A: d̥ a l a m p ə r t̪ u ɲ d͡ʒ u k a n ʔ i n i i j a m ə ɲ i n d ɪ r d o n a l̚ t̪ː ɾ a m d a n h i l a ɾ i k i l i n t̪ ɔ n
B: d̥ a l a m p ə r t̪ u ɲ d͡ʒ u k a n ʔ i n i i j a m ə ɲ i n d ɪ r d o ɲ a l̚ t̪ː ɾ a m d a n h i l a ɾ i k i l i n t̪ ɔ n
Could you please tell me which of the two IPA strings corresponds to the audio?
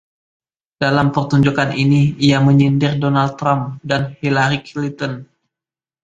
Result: A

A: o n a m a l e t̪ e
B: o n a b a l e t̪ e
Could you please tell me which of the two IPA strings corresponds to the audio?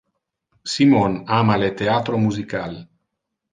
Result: A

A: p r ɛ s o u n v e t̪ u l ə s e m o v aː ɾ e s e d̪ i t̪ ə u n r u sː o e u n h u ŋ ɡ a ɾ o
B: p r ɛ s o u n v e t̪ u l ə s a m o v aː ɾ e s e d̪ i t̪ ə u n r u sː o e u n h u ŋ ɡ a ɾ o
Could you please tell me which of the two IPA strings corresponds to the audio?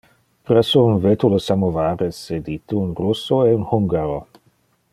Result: B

